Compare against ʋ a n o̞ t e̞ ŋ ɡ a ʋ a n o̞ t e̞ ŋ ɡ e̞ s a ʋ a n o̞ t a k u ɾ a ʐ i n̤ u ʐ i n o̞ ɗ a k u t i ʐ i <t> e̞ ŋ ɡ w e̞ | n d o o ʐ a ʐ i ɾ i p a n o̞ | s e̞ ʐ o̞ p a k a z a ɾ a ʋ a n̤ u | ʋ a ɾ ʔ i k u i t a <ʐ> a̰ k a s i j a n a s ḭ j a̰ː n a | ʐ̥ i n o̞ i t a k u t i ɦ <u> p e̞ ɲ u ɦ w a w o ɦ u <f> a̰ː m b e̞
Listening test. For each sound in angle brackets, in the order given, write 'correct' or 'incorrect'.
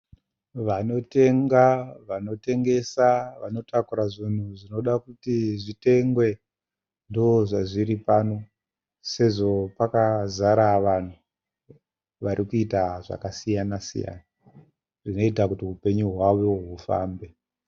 correct, correct, correct, correct

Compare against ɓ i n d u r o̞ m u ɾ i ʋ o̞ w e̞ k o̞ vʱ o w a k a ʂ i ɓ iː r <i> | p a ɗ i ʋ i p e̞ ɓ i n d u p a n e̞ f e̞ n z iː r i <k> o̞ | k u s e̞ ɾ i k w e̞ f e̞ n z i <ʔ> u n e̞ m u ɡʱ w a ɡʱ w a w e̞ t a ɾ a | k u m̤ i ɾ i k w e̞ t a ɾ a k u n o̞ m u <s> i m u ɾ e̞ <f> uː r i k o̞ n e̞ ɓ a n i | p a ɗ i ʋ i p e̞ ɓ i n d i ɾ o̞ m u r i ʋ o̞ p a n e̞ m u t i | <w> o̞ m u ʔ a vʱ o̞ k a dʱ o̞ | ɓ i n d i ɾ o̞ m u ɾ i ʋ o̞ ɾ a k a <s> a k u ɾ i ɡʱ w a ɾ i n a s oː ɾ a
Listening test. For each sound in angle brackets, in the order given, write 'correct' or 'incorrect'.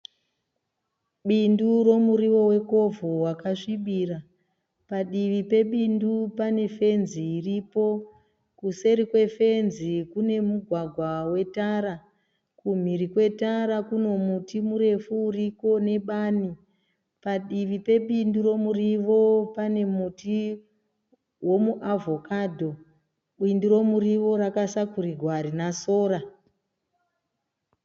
incorrect, incorrect, incorrect, incorrect, correct, correct, correct

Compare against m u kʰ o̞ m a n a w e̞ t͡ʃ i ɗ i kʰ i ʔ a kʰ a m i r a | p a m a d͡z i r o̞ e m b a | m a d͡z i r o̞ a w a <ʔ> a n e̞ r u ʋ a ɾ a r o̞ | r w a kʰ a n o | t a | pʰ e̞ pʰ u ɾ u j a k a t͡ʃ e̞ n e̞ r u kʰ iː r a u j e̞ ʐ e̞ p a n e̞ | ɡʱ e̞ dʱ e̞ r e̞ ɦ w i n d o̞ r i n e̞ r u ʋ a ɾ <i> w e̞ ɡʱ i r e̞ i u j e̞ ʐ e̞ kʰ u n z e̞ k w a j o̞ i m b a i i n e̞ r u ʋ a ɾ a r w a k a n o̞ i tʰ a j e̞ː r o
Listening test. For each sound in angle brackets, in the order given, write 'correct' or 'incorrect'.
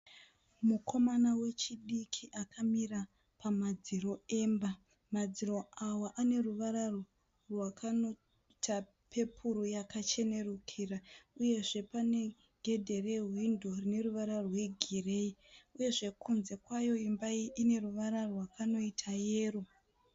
correct, incorrect

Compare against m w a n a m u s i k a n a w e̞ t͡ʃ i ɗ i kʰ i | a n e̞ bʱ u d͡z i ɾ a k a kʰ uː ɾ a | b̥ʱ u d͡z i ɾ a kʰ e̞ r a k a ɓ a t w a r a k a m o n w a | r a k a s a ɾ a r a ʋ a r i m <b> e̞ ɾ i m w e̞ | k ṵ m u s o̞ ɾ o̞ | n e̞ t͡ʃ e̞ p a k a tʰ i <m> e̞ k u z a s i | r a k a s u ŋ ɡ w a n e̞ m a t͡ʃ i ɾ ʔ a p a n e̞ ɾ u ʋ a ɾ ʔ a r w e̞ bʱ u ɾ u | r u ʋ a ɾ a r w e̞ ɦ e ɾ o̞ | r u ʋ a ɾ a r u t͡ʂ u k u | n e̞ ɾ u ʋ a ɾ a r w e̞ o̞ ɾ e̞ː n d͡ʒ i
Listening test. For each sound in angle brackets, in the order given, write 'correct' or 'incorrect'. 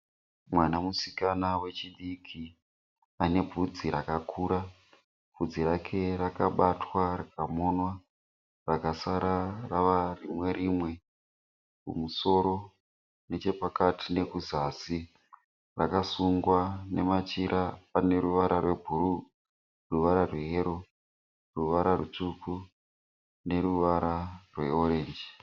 incorrect, incorrect

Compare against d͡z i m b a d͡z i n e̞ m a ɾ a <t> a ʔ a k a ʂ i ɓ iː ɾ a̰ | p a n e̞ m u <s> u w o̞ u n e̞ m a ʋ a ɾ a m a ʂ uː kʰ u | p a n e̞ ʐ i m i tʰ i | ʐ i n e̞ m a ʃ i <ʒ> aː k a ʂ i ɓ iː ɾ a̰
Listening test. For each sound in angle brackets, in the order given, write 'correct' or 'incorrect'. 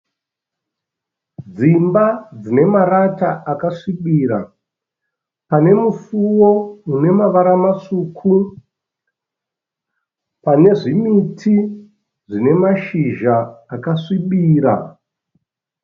correct, incorrect, correct

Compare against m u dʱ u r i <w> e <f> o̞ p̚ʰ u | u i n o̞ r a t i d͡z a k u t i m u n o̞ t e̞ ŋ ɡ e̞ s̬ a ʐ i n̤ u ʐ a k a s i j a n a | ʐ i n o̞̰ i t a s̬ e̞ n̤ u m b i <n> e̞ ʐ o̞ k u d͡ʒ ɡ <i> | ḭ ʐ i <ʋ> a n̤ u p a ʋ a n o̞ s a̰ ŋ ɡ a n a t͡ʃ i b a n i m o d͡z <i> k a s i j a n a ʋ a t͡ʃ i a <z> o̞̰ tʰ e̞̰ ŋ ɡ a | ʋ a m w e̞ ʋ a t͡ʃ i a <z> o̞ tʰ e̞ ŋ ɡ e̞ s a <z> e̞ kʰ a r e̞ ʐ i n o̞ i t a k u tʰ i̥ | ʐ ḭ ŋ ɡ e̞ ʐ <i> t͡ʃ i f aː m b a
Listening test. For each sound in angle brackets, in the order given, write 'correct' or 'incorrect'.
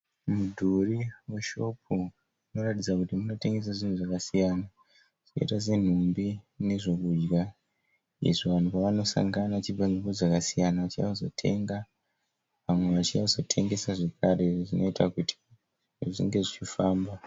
correct, incorrect, correct, incorrect, correct, incorrect, correct, correct, incorrect, correct

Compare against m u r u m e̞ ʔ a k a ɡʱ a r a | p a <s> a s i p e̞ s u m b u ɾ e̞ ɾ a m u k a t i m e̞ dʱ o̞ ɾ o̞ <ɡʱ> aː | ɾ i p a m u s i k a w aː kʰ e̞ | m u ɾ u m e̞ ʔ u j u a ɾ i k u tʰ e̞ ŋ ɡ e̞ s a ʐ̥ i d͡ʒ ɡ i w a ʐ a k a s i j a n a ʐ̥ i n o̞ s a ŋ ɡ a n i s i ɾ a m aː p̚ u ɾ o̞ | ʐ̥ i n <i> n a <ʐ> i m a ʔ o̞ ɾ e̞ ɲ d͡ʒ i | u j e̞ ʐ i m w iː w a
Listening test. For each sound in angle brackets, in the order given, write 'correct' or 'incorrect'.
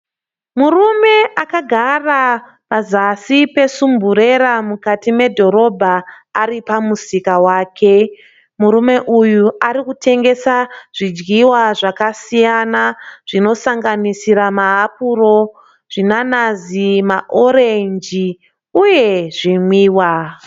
incorrect, incorrect, incorrect, incorrect

